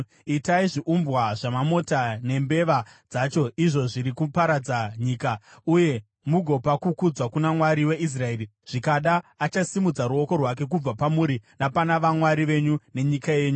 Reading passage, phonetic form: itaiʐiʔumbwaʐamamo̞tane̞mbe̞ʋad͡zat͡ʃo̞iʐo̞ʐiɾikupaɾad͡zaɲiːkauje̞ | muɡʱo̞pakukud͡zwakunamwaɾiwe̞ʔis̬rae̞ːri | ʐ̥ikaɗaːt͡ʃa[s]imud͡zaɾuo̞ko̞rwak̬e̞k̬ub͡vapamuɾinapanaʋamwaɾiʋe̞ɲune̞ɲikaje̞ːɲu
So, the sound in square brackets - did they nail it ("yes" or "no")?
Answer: yes